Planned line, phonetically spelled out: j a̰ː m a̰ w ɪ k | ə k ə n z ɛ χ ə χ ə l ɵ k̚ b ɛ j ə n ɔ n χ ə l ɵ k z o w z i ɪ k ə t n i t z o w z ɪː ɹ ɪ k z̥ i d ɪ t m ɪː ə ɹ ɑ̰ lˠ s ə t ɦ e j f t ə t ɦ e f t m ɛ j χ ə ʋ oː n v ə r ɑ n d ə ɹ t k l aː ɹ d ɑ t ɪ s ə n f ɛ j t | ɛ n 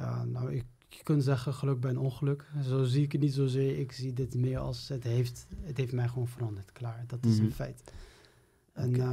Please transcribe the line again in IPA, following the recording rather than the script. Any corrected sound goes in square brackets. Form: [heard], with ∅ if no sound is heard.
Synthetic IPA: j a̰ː [n] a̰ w ɪ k | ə k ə n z ɛ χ ə χ ə l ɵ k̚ b ɛ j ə n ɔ n χ ə l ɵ k z o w z i ɪ k ə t n i t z o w z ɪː ɹ ɪ k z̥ i d ɪ t m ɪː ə ɹ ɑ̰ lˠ s ə t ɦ e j f t ə t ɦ e f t m ɛ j χ ə ʋ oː n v ə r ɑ n d ə ɹ t k l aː ɹ d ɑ t ɪ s ə n f ɛ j t | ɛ n